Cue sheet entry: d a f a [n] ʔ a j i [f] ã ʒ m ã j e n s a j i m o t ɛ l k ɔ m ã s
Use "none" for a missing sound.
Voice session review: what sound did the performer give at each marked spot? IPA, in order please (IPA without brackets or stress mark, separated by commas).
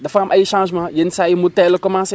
m, ʃ